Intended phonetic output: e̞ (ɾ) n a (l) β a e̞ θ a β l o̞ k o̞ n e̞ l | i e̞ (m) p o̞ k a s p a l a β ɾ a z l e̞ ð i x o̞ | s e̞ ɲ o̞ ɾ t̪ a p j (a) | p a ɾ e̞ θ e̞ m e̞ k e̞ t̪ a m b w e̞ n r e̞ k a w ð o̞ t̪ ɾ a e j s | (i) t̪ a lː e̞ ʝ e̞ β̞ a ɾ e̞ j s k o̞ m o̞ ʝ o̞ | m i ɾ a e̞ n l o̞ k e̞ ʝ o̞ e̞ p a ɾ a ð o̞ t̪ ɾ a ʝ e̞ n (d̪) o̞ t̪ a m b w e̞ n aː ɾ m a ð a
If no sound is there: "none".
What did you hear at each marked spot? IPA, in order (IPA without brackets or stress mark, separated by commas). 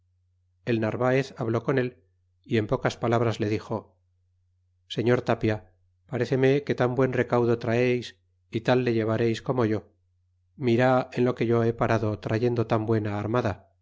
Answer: l, ɾ, m, a, i, d̪